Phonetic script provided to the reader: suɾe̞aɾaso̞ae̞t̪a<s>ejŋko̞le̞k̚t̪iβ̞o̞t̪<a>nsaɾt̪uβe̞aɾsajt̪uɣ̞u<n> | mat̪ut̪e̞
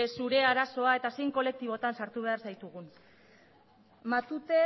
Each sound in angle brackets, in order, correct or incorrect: correct, correct, correct

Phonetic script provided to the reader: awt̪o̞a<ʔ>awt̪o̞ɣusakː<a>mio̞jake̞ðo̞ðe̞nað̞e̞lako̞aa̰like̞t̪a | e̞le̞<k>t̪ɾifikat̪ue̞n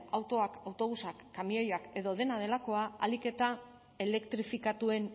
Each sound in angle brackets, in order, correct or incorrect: incorrect, correct, correct

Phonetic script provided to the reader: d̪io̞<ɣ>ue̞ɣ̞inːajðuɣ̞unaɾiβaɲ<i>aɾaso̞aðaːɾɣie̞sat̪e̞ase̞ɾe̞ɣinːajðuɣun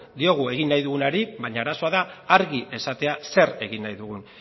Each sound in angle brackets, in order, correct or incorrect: correct, incorrect

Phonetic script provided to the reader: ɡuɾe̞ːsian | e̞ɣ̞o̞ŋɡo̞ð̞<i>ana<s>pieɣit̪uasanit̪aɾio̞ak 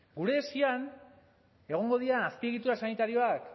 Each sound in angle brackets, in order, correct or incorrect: correct, correct

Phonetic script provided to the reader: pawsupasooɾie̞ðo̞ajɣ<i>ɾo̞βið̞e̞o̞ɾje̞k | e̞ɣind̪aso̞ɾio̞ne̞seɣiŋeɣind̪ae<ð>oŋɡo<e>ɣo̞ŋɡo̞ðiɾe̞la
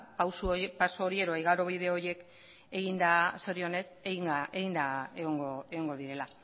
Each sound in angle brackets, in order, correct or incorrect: incorrect, incorrect, correct

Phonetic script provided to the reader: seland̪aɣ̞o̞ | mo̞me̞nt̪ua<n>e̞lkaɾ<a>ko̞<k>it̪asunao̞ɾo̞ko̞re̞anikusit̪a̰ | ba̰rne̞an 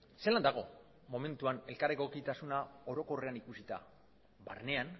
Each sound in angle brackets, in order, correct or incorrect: correct, incorrect, correct

